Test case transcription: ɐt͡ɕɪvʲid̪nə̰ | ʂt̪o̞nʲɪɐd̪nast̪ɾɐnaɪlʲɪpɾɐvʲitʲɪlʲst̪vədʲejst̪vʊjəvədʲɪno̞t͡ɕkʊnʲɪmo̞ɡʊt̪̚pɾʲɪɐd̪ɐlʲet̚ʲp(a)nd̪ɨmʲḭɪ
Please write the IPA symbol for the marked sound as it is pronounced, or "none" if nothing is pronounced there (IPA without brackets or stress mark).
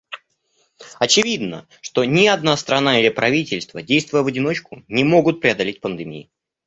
ə